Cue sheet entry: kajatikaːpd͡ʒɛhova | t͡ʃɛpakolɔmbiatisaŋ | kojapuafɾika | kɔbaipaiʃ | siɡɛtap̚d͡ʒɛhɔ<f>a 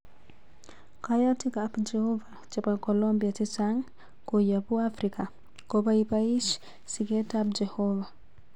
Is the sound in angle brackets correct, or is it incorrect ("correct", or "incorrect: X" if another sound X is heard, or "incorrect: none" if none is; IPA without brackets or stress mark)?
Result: incorrect: v